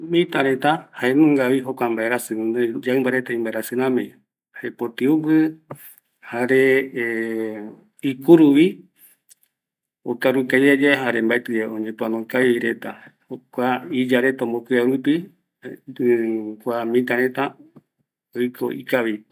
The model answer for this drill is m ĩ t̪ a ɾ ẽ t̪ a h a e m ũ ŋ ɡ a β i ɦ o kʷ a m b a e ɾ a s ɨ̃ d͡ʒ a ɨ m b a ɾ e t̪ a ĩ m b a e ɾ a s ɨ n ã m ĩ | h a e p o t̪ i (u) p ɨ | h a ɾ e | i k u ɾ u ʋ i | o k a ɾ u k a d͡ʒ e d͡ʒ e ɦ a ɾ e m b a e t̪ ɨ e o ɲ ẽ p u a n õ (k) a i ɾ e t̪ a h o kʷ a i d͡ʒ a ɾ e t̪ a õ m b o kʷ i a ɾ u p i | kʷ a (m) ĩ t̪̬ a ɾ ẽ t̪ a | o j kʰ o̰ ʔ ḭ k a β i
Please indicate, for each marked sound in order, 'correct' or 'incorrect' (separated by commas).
correct, correct, correct